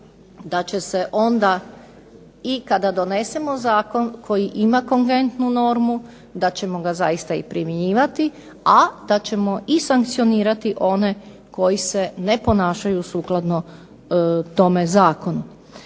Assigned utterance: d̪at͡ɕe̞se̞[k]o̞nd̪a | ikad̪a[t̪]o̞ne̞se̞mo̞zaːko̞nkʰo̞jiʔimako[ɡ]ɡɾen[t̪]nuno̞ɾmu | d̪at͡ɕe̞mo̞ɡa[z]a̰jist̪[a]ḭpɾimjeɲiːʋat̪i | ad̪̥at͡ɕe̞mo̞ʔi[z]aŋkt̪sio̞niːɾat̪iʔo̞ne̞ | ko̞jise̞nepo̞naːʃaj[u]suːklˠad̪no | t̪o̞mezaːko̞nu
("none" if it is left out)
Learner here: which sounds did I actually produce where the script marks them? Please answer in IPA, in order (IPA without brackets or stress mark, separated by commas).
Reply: ʔ, d̪, ŋ, t̪, z, a, s, u